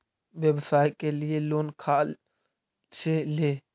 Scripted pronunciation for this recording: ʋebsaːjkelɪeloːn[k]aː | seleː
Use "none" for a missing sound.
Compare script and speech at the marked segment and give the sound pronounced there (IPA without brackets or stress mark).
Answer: kʰ